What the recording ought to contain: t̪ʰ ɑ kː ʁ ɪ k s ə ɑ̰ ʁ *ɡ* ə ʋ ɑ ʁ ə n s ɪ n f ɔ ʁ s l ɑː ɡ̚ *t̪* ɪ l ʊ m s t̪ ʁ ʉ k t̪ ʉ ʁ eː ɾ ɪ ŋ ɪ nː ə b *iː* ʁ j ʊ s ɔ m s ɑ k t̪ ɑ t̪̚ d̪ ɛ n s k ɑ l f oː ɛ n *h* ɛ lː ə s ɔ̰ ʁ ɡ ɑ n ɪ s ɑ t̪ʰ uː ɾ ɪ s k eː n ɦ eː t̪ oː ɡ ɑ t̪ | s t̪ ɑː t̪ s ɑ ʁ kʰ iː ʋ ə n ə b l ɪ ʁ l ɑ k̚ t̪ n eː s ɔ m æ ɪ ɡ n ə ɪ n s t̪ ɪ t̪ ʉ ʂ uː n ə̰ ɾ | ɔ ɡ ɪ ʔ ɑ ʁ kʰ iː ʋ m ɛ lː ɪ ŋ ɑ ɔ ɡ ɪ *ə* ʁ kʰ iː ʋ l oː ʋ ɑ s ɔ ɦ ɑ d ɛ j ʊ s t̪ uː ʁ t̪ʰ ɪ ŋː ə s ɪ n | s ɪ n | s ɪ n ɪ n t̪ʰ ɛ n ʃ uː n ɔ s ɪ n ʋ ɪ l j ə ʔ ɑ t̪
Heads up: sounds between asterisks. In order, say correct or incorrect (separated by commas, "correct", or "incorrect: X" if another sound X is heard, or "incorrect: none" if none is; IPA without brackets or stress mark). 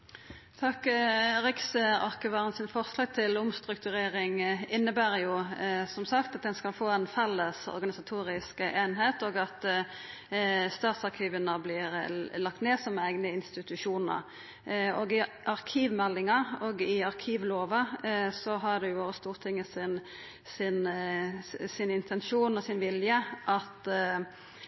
incorrect: k, incorrect: t̪ʰ, incorrect: æː, incorrect: f, incorrect: ɑ